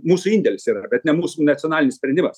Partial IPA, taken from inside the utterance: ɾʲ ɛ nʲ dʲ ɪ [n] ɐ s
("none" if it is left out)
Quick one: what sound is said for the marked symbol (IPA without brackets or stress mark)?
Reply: m